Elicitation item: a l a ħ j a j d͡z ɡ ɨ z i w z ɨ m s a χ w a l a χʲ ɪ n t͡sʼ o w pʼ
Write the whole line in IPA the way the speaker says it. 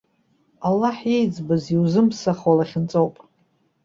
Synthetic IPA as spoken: a lː a ħ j e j d͡z b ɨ z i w z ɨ m s a χ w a l a χʲ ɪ n t͡sʼ o w pʼ